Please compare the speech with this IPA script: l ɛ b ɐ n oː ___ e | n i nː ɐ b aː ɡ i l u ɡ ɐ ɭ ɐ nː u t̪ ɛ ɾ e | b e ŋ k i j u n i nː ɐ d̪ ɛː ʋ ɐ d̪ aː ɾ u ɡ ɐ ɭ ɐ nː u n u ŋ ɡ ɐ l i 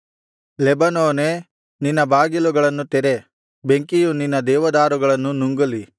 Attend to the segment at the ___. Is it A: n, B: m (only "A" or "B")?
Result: A